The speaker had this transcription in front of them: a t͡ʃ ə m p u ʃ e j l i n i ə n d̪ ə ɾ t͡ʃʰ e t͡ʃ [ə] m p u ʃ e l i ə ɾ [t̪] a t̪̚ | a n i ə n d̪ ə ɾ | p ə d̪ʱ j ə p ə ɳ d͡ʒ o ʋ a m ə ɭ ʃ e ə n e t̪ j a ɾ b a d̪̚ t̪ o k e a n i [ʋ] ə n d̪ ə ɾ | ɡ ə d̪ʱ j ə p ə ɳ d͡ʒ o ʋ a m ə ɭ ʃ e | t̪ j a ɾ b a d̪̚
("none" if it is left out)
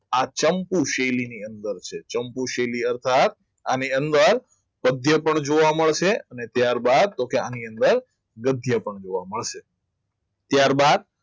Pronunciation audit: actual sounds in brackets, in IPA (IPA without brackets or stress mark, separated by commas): ə, t̪ʰ, none